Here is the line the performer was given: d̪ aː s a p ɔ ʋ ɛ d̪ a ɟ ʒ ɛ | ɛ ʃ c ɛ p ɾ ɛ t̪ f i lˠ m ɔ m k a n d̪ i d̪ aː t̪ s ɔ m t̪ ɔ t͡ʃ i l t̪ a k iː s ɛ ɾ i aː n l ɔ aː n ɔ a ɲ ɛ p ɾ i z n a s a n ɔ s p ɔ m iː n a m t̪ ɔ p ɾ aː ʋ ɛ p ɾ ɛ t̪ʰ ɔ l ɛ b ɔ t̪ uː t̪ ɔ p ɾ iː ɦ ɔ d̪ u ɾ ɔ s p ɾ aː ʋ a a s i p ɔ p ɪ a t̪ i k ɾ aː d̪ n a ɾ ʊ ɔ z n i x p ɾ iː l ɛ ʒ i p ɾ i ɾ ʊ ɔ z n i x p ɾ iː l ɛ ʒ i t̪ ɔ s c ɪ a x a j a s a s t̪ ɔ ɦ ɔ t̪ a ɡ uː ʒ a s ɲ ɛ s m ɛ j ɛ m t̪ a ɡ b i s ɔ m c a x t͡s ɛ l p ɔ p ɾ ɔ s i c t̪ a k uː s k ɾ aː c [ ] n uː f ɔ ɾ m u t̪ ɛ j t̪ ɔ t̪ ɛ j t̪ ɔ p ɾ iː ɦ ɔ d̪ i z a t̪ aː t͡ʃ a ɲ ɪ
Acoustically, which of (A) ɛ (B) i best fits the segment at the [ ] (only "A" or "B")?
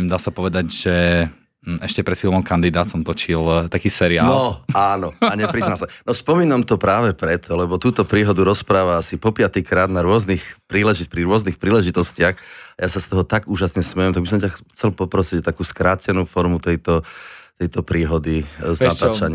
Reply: A